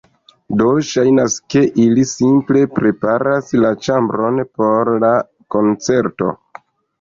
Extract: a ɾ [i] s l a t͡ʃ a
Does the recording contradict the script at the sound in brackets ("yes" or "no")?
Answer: yes